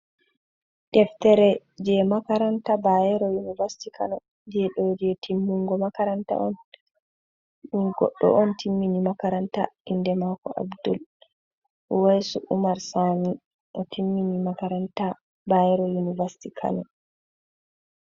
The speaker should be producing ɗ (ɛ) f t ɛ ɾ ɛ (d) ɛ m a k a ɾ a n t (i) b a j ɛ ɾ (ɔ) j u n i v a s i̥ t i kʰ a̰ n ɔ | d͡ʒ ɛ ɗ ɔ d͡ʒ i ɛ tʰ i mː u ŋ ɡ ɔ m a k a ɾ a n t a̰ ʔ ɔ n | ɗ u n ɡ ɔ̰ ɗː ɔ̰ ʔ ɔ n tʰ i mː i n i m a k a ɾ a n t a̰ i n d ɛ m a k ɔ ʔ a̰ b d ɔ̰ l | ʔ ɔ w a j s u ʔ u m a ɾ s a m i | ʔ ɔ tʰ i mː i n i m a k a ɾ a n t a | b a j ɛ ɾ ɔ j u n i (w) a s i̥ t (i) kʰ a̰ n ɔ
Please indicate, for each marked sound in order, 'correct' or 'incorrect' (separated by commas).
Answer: correct, incorrect, incorrect, correct, incorrect, correct